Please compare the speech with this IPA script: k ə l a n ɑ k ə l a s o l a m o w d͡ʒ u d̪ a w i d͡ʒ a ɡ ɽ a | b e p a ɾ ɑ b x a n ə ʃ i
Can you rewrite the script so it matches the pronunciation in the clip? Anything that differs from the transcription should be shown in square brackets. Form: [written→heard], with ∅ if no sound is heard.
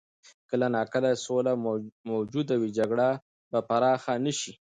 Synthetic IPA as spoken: k ə l a n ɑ k ə l a s o l a m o w d͡ʒ u d̪ a w i d͡ʒ a ɡ ɽ a | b [e→a] p a ɾ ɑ [b→∅] x a n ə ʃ i